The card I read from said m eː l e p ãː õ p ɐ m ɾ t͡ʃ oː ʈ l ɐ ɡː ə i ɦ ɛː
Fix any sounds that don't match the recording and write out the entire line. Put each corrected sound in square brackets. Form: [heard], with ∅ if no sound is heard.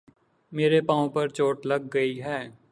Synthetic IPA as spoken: m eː [ɾ] e p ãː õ p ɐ [∅] ɾ t͡ʃ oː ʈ l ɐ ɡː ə i ɦ ɛː

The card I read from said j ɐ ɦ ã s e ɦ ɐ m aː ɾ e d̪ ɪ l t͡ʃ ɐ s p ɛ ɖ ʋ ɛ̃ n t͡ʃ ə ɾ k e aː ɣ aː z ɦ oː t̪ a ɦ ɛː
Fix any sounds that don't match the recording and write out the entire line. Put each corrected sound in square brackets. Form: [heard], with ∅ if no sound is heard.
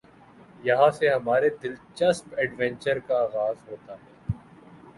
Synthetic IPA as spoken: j ɐ ɦ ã s e ɦ ɐ m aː ɾ e d̪ ɪ l t͡ʃ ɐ s p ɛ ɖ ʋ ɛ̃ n t͡ʃ ə ɾ k [a] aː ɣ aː z ɦ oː t̪ a ɦ ɛː

